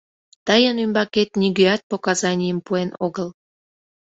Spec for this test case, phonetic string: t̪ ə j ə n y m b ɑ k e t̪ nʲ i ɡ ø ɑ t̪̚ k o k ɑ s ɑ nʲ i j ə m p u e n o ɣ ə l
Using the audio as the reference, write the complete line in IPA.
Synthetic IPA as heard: t̪ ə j ə n y m b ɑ k e t̪ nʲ i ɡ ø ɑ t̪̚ p o k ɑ z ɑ nʲ i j ə m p u e n o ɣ ə l